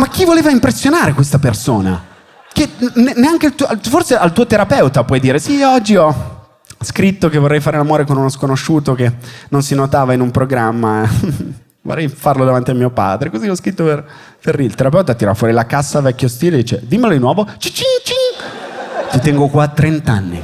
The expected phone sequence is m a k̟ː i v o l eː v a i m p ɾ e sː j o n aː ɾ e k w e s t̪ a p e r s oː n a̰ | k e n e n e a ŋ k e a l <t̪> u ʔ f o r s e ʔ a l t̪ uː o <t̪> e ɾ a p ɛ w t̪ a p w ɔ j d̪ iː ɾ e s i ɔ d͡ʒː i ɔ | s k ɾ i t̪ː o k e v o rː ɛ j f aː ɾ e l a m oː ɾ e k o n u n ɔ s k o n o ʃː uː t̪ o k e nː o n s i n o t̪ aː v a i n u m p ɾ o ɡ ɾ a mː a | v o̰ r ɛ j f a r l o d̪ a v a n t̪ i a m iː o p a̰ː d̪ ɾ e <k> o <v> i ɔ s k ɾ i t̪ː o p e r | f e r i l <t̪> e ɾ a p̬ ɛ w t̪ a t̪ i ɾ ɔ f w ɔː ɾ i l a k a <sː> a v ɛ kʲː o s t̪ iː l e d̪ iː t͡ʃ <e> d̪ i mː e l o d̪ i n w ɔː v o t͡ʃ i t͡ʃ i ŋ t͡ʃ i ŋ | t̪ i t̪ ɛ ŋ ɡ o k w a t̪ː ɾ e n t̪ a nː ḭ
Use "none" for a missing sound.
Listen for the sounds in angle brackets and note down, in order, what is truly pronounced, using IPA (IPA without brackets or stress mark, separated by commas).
t̪, t̪, k, z, t̪, sː, e